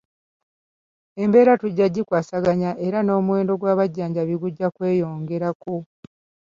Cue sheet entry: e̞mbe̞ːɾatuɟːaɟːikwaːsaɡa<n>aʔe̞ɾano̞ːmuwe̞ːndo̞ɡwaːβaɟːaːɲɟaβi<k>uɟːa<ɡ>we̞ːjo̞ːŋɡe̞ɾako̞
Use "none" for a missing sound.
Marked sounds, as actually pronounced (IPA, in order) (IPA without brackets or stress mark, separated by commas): ɲ, ɡ, k